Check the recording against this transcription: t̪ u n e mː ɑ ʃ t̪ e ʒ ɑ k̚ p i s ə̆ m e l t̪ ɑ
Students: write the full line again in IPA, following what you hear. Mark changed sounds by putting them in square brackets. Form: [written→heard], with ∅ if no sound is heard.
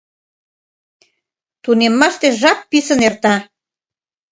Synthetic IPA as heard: t̪ u n e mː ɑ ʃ t̪ e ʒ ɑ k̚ p i s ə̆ [m→n] e [l→r] t̪ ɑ